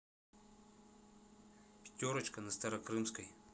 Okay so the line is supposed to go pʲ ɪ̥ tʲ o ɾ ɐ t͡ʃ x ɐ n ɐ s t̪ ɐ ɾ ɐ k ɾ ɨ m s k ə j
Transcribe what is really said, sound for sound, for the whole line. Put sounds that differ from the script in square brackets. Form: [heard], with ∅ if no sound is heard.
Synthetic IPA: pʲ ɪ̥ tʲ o ɾ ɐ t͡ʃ [k] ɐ n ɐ s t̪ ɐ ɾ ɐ k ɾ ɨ m s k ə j

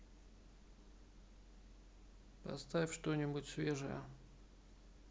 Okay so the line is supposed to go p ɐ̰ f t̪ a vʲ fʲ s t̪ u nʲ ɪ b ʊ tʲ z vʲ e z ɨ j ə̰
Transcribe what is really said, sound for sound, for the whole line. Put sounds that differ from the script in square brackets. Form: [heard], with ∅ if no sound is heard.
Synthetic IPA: p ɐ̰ [s] t̪ a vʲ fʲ [ʂ] t̪ [o] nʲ ɪ b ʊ tʲ [s] vʲ e [ʐ] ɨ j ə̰

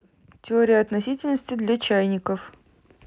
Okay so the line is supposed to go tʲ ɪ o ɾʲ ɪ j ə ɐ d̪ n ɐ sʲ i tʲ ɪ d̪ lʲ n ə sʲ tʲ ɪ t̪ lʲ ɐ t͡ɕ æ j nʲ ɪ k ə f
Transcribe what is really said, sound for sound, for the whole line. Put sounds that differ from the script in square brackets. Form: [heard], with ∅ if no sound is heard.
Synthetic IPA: tʲ ɪ o ɾʲ ɪ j ə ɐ [t̪] n ɐ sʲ i tʲ ɪ [∅] lʲ n ə sʲ tʲ ɪ [d̪] lʲ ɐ t͡ɕ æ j nʲ ɪ k ə f

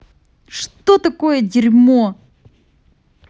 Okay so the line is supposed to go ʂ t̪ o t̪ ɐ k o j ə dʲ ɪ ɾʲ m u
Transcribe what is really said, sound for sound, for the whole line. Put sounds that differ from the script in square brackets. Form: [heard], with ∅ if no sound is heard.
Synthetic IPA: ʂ t̪ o t̪ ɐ k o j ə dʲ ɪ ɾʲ m [o]

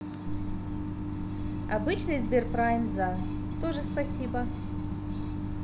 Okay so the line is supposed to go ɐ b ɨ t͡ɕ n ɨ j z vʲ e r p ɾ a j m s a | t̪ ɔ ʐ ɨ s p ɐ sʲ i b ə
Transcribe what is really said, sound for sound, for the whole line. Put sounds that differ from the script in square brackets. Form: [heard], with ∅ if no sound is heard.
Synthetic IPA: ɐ b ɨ t͡ɕ n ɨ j z [bʲ] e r p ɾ a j m [z] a | t̪ [o] ʐ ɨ s p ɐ sʲ i b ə

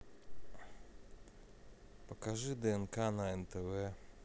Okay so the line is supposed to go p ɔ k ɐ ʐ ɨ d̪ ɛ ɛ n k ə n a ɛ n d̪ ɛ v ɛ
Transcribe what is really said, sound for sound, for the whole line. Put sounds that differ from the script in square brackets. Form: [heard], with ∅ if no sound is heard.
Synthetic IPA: p ɔ k [a] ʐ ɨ d̪ ɛ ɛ n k [a] n a ɛ n [t̪] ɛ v ɛ

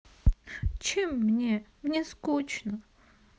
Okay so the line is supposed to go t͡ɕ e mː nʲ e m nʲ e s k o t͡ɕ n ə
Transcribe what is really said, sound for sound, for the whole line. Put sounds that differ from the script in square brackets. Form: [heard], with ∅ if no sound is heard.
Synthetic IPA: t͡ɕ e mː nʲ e m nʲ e s k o t͡ɕ n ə

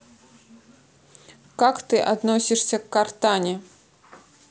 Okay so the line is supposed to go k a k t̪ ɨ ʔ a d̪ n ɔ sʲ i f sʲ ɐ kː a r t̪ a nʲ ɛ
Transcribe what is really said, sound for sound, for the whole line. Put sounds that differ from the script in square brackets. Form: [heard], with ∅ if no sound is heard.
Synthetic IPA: k a k t̪ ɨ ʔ a d̪ n ɔ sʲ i [ʂ] sʲ ɐ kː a r t̪ a nʲ ɛ

